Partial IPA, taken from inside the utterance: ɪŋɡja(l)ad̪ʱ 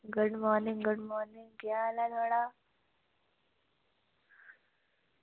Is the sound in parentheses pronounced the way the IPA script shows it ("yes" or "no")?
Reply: yes